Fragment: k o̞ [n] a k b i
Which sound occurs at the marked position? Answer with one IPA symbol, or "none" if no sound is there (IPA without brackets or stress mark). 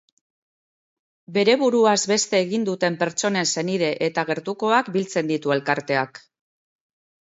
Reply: none